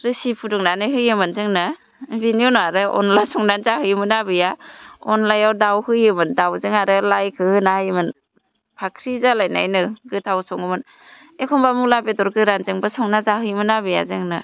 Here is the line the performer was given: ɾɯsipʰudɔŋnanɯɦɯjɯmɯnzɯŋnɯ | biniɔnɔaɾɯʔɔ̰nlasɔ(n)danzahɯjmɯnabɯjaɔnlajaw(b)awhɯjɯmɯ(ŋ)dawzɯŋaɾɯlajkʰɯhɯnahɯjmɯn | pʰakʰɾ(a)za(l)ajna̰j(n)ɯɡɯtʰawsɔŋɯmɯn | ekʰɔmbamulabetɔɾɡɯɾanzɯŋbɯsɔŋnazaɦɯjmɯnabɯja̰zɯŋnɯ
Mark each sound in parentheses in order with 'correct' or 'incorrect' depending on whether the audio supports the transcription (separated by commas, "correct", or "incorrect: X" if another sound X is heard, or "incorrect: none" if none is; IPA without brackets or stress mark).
incorrect: ŋ, incorrect: d, incorrect: n, incorrect: i, correct, correct